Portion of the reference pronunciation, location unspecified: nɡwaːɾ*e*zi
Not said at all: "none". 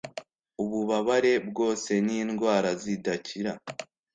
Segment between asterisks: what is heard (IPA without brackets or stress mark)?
a